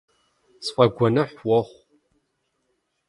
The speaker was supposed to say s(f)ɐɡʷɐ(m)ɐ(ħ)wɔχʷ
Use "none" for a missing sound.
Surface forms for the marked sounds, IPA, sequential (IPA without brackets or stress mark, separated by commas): f, n, ħ